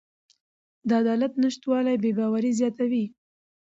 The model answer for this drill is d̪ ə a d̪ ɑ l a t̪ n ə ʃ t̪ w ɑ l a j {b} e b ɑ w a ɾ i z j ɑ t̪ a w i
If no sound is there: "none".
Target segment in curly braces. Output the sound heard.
b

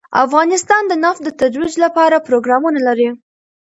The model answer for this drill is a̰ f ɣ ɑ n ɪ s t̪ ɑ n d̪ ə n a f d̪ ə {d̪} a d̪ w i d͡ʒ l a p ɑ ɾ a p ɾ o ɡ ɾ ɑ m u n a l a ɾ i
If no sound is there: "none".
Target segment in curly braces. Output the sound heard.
t̪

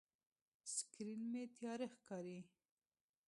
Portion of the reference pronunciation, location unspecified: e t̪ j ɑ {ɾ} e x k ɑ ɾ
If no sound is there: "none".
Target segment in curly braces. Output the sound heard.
ɾ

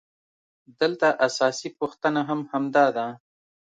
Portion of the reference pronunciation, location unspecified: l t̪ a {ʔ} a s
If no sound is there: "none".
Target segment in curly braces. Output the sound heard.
ʔ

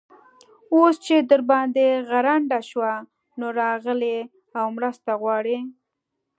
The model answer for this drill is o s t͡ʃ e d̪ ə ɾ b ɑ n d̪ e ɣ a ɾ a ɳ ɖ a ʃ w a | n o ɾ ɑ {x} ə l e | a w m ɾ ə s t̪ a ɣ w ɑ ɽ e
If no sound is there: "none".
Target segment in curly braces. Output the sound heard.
ɣ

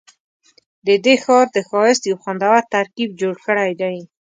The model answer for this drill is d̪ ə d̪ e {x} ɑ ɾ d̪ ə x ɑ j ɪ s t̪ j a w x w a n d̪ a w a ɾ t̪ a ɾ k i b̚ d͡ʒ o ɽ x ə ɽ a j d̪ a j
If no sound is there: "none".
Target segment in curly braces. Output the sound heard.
x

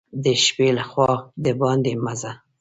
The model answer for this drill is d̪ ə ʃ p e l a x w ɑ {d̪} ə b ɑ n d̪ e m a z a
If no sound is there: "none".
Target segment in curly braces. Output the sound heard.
d̪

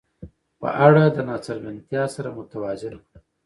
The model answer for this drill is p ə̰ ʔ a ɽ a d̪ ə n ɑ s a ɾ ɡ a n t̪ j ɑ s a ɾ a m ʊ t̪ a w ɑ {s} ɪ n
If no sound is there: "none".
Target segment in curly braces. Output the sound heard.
z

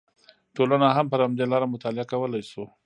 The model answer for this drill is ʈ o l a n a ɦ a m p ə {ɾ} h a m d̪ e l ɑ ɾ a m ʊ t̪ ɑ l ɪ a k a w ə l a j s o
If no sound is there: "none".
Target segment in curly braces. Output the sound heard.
ɾ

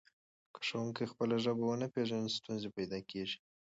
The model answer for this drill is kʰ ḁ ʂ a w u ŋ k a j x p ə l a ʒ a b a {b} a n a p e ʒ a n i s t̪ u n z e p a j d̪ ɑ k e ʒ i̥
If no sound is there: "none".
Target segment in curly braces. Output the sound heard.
w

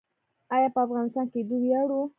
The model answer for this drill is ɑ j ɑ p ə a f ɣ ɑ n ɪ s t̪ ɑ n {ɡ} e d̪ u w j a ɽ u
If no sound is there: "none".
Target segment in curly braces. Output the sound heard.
k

